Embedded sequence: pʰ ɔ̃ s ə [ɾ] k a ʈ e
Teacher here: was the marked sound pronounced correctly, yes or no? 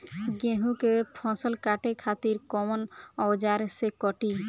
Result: no